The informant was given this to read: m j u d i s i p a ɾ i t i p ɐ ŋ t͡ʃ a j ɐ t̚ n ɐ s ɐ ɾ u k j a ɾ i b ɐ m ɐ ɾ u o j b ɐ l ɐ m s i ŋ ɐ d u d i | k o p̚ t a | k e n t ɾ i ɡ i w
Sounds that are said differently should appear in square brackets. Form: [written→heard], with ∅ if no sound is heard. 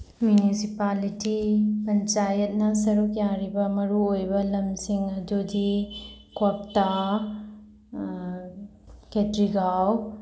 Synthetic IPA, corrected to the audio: m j u [d→n] i s i p a [ɾ→l] i t i p ɐ [ŋ→n] t͡ʃ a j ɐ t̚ n ɐ s ɐ ɾ u k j a ɾ i b ɐ m ɐ ɾ u o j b ɐ l ɐ m s i ŋ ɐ d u d i | k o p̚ t a | k e [n→∅] t ɾ i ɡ [i→a] w